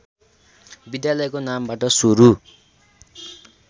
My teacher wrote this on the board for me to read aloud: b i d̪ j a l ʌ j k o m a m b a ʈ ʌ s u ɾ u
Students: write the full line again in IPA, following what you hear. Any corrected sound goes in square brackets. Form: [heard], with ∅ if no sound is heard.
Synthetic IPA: b i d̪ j a l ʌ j k o [n] a m b a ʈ ʌ s u ɾ u